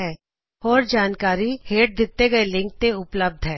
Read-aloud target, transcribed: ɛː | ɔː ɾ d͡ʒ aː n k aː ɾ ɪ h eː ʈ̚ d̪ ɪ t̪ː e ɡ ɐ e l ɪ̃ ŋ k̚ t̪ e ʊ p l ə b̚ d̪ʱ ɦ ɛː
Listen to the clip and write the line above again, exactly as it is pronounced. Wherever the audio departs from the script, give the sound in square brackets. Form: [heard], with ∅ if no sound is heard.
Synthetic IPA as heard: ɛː | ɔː ɾ d͡ʒ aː n k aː ɾ [i] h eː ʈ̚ d̪ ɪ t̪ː e ɡ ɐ e l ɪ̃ ŋ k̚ t̪ e ʊ p l ə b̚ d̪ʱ ɦ ɛː